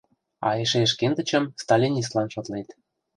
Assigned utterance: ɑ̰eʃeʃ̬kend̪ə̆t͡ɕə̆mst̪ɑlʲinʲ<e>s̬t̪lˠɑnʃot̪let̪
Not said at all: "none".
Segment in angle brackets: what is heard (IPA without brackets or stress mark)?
i